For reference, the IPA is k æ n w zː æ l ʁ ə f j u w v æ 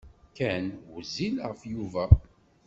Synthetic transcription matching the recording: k æ n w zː i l ʁ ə f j u v æ